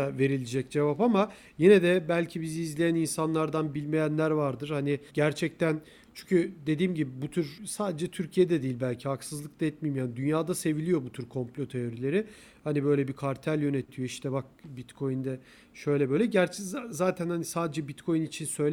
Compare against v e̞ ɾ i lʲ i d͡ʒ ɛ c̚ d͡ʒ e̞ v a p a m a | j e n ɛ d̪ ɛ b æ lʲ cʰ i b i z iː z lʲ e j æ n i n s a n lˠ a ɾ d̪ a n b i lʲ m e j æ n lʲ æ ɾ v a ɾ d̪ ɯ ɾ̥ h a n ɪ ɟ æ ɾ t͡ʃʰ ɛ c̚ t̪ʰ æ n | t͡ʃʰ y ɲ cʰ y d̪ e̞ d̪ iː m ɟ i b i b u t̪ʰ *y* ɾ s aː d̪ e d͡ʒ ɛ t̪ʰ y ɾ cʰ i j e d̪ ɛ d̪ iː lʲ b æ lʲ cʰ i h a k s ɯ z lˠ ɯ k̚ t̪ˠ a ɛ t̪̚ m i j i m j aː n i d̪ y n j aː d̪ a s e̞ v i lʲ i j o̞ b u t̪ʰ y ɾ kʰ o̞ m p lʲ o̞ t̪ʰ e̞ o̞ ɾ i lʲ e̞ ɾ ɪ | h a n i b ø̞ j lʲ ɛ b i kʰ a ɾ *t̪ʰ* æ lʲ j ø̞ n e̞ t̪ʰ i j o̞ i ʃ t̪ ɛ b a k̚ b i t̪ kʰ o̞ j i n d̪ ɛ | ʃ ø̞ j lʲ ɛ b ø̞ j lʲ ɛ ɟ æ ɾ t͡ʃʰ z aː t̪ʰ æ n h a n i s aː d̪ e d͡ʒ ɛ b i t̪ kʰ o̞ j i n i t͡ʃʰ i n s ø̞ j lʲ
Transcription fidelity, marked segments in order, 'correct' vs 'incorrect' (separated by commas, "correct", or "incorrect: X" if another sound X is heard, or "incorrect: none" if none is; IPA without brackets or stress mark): correct, correct